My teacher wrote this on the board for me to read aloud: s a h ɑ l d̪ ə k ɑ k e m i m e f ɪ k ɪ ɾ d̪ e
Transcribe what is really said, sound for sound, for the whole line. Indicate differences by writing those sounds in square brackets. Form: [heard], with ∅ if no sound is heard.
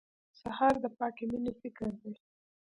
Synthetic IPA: s a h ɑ [ɾ] d̪ ə [p] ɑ k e m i [n] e f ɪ k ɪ ɾ d̪ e